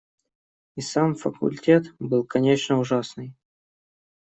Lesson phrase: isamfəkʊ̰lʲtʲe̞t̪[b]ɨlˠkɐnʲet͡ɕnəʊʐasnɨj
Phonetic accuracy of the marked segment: correct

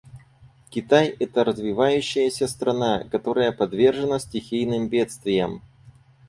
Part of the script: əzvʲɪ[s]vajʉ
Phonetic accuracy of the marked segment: incorrect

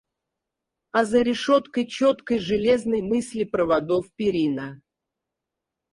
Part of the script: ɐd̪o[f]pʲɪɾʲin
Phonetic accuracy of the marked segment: correct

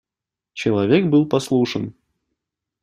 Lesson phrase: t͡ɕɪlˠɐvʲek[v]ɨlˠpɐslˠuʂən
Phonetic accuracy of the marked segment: incorrect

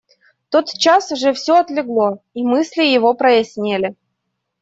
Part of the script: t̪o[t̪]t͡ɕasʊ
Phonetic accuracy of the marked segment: correct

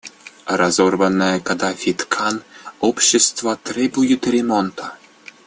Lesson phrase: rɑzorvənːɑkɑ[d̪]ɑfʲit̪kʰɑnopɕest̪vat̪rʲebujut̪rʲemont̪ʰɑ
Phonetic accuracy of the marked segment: correct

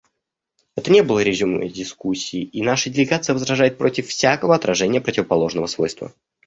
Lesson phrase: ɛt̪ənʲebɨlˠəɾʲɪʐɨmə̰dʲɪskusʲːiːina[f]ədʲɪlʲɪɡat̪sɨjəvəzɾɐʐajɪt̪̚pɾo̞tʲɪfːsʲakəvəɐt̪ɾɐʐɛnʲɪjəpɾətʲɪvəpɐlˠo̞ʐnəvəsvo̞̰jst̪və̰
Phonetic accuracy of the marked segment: incorrect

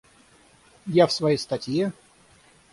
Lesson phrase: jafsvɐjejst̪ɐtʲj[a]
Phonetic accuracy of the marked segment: incorrect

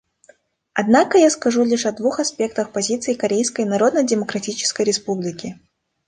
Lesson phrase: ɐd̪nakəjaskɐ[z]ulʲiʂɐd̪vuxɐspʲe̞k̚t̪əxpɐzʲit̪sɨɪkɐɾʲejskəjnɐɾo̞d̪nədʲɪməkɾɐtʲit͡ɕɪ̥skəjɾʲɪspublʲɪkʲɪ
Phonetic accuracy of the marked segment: incorrect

